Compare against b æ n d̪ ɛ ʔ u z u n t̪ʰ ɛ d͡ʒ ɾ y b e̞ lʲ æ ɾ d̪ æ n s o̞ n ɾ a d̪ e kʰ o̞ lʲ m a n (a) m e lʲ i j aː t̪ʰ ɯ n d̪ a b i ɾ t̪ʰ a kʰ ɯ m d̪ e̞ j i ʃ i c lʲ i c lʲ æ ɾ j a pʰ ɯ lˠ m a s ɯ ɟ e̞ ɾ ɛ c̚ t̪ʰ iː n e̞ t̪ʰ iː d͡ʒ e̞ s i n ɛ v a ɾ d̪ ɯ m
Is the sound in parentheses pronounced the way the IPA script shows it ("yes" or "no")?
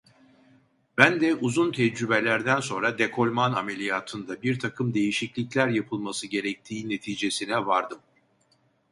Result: yes